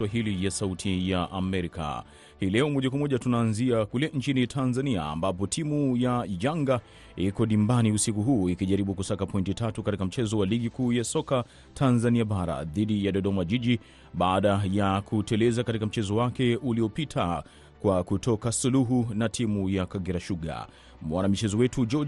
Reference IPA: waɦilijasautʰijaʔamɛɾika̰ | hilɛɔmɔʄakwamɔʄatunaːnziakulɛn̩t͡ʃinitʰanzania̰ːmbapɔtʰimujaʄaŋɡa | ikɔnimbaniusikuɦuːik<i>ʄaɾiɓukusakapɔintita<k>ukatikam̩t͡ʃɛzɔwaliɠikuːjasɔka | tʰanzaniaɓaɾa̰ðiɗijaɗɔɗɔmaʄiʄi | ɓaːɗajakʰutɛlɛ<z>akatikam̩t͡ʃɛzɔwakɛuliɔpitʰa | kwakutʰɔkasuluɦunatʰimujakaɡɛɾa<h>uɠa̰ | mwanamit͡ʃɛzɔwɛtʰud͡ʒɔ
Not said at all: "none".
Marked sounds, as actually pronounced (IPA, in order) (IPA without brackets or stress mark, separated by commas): i, t, z, ʃ